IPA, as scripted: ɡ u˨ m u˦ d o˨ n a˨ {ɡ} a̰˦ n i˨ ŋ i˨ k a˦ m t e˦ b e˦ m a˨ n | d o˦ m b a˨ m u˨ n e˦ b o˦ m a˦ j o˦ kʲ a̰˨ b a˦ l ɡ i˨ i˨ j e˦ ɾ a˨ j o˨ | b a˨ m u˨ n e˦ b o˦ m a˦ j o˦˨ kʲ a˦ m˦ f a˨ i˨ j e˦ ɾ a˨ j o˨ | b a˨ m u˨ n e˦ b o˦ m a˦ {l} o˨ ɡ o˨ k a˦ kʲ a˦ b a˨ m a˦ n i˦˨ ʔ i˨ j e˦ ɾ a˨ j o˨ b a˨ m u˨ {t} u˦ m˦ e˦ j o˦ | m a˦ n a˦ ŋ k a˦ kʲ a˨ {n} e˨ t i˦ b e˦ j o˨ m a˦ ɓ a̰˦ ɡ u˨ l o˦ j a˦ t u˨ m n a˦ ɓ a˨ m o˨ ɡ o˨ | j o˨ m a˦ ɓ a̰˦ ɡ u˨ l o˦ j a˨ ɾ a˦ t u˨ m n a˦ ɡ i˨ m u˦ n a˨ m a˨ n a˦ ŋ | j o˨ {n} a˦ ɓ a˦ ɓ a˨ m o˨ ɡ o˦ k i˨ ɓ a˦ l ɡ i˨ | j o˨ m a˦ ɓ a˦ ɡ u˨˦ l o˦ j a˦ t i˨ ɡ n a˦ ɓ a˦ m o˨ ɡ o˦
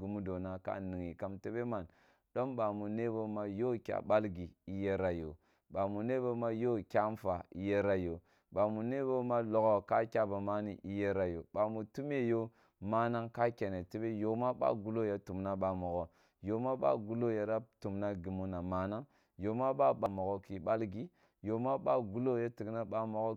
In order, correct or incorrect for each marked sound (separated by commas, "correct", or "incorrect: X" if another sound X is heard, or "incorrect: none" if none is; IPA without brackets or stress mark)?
incorrect: k, correct, correct, correct, incorrect: m